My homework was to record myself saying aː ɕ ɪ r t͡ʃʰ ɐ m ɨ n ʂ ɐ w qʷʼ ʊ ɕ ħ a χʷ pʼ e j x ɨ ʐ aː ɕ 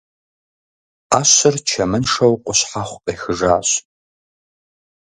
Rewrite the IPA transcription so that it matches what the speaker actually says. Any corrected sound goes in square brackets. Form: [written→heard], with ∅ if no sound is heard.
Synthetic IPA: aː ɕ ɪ r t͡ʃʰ ɐ m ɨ n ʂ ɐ w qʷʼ ʊ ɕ ħ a χʷ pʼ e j x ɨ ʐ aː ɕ